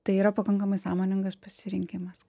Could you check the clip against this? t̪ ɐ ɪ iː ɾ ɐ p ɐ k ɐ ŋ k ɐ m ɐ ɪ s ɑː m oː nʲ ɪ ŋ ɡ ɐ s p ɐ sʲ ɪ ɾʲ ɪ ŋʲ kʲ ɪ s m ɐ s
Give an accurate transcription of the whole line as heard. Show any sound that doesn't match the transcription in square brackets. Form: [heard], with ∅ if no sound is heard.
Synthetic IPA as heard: t̪ ɐ ɪ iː ɾ ɐ p ɐ k ɐ ŋ k ɐ m ɐ ɪ s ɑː m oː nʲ ɪ ŋ ɡ ɐ s p ɐ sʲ ɪ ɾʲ ɪ ŋʲ kʲ ɪ [∅] m ɐ s